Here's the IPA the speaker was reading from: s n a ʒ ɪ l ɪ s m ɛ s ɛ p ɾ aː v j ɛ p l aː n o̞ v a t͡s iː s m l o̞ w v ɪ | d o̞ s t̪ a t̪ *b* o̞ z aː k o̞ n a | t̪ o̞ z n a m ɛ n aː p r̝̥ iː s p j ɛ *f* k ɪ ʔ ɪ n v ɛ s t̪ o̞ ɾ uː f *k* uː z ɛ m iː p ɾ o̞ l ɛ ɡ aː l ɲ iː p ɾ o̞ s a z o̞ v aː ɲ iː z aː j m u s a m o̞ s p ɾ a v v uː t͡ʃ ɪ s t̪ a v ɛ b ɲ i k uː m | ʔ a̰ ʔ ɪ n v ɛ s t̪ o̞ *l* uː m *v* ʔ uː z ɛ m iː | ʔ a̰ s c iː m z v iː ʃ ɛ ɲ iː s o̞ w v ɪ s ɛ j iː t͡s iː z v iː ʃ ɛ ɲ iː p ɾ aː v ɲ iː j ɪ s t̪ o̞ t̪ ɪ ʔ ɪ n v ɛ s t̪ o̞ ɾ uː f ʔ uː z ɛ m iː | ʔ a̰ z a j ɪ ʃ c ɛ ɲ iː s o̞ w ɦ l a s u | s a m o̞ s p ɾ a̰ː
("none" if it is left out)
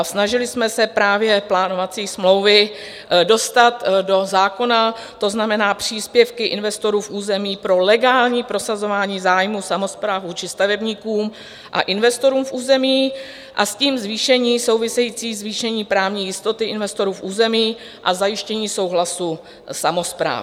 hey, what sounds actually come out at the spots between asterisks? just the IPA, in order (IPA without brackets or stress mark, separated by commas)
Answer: d, f, ʔ, ɾ, f